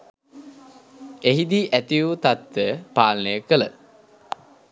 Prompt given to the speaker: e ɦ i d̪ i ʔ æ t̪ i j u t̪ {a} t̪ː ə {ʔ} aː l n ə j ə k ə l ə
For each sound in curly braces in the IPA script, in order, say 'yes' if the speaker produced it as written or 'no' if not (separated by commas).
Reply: yes, no